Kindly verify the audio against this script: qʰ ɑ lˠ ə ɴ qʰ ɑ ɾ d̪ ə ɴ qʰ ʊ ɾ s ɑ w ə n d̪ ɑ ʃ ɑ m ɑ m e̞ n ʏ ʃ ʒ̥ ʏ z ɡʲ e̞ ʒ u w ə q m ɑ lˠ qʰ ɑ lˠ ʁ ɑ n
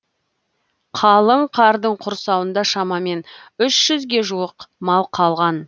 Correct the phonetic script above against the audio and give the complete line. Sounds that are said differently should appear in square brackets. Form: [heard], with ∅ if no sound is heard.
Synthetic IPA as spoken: qʰ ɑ lˠ ə ɴ qʰ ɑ ɾ d̪ ə ɴ qʰ ʊ ɾ s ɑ w ə n d̪ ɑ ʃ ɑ m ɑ m e̞ n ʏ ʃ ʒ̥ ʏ z ɡʲ e̞ ʒ u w ə q m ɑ lˠ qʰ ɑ lˠ ʁ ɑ n